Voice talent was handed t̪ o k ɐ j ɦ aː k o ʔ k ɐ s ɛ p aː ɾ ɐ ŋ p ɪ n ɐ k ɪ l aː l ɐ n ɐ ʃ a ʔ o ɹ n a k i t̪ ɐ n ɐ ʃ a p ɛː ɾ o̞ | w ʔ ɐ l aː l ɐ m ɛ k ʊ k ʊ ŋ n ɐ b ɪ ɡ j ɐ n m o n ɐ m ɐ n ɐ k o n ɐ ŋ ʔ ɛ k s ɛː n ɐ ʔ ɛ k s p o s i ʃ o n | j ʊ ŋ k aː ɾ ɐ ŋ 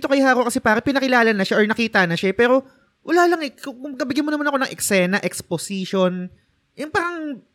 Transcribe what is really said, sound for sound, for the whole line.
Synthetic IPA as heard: t̪ o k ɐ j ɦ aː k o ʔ k ɐ s ɛ p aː ɾ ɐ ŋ p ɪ n ɐ k ɪ l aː l ɐ n ɐ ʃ a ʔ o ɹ n ɐ k iː t̪ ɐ n ɐ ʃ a p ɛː ɾ o̞ | w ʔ ɐ l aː l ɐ ŋ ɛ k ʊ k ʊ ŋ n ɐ b ɪ ɡ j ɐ n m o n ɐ m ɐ n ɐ k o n ɐ ŋ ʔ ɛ k s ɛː n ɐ ʔ ɛ k s p o s i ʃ o n | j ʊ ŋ p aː ɾ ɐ ŋ